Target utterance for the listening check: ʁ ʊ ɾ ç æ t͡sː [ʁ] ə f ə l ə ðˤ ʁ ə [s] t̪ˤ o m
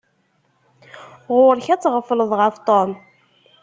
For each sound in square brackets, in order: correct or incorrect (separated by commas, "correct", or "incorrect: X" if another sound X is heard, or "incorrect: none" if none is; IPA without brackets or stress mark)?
correct, incorrect: f